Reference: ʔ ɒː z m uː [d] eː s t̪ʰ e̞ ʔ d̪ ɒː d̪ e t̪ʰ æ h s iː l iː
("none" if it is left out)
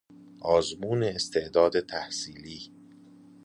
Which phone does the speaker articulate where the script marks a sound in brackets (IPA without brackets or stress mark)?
n